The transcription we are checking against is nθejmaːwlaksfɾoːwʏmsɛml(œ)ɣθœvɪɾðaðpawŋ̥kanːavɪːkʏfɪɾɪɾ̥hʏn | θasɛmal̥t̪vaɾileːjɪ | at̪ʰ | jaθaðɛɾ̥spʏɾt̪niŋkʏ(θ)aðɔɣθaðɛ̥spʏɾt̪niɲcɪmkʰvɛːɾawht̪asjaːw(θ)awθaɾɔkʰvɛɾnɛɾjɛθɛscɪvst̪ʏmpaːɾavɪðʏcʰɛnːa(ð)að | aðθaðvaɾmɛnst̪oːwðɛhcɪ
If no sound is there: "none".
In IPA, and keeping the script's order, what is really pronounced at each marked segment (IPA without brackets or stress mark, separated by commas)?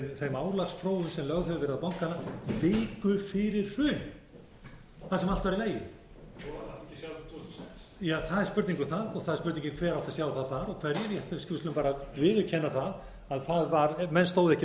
œ, θ, θ, θ